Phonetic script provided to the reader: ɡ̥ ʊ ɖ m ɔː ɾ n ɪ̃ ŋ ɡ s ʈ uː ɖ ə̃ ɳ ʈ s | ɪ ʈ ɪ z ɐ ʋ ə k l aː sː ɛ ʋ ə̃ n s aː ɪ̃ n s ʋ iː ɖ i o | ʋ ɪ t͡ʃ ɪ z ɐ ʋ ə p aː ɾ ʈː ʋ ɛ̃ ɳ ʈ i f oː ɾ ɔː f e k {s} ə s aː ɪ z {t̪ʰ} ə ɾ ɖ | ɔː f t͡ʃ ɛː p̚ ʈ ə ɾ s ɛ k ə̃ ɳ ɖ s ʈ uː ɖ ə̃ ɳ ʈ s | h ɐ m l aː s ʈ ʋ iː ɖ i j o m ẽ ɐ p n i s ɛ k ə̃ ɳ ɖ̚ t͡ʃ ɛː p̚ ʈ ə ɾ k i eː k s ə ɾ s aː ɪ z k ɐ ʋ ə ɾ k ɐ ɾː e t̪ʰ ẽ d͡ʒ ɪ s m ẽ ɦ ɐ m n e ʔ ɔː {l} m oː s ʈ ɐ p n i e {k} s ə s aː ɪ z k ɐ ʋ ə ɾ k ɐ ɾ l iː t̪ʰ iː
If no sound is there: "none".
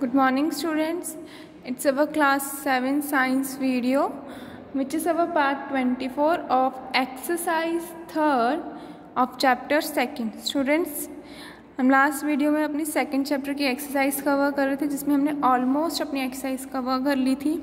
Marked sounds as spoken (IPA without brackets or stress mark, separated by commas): s, t̪ʰ, l, k